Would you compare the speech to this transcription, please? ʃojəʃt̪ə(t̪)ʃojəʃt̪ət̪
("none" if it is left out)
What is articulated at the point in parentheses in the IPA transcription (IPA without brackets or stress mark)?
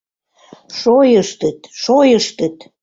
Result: t̪